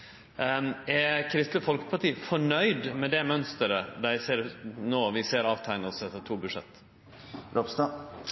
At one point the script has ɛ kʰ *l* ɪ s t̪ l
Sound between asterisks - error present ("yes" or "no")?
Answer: yes